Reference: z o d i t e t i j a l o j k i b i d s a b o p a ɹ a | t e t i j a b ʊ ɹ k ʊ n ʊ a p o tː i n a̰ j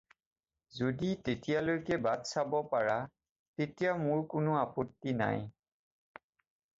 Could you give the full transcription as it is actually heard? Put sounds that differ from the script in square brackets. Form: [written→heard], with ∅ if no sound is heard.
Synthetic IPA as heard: z o d i t e t i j a l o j k [i→ɛ] b [i→a] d s a b [o→ɔ] p a ɹ a | t e t i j a [b→m] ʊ ɹ k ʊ n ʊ a p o tː i n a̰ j